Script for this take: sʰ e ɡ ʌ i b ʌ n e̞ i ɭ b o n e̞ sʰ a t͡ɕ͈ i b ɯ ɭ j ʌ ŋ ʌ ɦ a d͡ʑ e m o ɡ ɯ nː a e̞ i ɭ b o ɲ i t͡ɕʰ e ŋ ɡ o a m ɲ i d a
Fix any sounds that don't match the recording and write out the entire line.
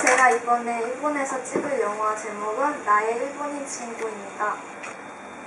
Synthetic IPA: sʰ e ɡ a i b ʌ n e̞ i ɭ b o n e̞ sʰ ʌ t͡ɕ͈ i b ɯ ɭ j ʌ ŋ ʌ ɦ a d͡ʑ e m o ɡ ɯ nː a e̞ i ɭ b o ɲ i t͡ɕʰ i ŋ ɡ o i m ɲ i d a